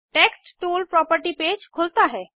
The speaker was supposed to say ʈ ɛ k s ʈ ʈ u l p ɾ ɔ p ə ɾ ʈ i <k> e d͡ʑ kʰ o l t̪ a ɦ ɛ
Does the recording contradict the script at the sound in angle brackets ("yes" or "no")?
yes